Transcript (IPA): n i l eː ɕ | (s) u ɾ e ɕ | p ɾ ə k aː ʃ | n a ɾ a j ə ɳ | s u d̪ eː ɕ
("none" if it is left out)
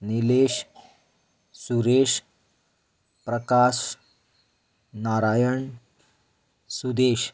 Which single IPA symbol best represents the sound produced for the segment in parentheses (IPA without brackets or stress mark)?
s